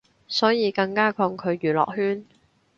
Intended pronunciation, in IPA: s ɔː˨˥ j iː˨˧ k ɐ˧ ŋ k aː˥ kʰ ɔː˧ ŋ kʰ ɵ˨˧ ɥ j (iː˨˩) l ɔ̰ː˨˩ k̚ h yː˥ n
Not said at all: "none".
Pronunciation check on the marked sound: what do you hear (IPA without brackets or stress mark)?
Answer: yː˨˩